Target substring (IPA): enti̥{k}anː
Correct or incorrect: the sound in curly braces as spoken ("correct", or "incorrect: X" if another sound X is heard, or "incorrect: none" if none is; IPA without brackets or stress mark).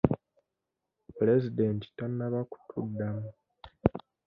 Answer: incorrect: t